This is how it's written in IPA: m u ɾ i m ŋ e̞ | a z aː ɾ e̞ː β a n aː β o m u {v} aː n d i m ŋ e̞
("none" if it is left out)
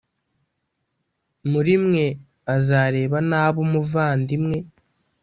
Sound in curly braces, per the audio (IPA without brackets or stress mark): v